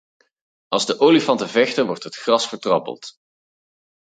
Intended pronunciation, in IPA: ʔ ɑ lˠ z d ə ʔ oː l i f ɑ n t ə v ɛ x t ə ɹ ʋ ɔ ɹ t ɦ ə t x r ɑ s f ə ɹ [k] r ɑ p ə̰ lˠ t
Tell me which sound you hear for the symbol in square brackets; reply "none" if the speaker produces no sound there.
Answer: t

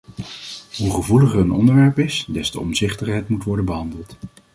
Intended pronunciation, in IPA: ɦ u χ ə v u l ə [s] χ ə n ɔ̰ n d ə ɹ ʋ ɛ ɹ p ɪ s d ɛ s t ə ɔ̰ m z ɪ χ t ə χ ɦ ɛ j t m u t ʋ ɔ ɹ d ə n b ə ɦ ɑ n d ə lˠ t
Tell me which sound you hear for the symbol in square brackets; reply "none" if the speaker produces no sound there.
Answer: none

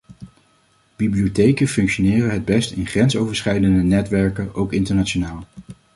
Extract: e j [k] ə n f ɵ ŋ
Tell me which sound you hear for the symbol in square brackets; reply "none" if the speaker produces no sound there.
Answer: k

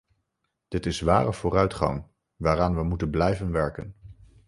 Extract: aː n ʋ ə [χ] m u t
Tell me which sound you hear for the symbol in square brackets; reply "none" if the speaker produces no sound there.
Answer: none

